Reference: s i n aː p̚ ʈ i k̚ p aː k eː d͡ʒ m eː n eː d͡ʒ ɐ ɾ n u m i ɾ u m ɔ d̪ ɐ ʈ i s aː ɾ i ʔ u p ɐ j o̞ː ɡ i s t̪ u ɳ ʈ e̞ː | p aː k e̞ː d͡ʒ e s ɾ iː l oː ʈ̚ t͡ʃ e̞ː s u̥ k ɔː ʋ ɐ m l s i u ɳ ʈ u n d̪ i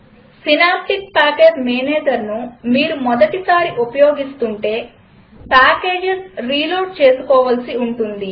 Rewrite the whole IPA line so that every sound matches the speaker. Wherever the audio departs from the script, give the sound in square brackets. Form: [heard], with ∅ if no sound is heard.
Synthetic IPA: s i n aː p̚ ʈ i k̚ p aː k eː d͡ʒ m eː n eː d͡ʒ ɐ ɾ n u m [iː] ɾ u m ɔ d̪ ɐ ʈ i s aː ɾ i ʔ u p ɐ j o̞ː ɡ i s t̪ u ɳ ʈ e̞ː | p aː k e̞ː d͡ʒ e s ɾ iː l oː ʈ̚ t͡ʃ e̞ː s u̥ k ɔː ʋ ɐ [∅] l s i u ɳ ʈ u n d̪ i